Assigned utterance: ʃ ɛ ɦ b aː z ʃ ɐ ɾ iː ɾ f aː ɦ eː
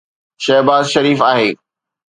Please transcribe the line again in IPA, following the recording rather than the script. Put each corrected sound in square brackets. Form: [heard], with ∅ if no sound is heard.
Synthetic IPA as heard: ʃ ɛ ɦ b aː z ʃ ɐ ɾ iː [∅] f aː ɦ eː